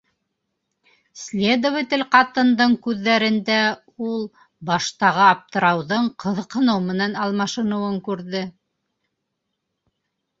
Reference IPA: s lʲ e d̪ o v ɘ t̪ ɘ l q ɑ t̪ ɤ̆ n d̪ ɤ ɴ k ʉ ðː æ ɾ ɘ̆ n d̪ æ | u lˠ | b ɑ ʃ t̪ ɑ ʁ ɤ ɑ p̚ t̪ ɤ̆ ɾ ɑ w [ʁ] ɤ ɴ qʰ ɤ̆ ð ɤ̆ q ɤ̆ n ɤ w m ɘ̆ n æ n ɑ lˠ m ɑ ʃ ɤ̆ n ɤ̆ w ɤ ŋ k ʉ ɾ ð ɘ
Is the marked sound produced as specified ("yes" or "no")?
no